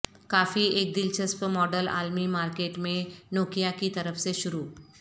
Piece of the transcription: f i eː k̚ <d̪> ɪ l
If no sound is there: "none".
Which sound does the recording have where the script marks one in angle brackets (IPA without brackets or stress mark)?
d̪